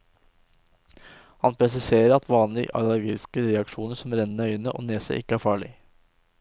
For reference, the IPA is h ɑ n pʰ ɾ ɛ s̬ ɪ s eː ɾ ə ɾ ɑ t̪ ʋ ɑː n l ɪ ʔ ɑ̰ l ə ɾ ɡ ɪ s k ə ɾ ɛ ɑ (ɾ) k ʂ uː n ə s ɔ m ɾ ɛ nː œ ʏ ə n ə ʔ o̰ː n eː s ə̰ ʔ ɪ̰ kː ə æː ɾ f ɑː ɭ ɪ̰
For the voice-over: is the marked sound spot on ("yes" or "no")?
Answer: no